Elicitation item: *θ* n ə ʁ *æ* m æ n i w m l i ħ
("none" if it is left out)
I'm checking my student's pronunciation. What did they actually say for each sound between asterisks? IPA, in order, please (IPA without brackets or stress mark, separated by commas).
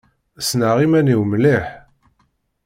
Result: s, i